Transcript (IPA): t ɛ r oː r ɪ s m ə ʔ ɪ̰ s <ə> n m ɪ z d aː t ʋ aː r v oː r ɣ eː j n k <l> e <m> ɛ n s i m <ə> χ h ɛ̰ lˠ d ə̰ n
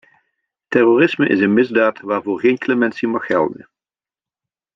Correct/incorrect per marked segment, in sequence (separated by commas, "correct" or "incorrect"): correct, correct, correct, incorrect